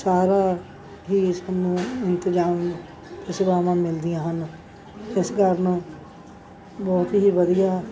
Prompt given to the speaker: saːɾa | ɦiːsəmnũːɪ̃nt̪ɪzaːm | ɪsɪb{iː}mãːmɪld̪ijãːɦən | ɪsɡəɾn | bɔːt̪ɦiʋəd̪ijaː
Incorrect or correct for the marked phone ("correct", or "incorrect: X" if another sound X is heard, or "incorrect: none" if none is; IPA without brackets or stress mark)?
incorrect: aː